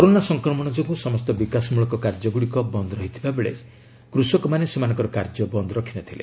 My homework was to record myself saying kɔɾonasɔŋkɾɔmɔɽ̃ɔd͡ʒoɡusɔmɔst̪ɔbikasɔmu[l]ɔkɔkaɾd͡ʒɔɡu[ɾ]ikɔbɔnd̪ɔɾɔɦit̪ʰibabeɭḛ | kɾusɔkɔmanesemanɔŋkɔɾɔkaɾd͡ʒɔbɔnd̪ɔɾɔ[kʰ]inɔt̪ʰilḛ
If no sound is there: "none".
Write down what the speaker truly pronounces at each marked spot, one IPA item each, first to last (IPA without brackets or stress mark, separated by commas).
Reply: ɭ, ɽ, kʰ